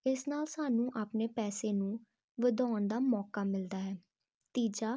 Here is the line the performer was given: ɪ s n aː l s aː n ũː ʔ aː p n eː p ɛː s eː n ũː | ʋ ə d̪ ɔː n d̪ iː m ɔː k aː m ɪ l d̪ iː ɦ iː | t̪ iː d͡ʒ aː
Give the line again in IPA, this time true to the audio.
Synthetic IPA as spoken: ɪ s n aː l s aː n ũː ʔ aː p n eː p ɛː s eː n ũː | ʋ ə d̪ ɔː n d̪ aː m ɔː k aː m ɪ l d̪ aː ɦ ɛː | t̪ iː d͡ʒ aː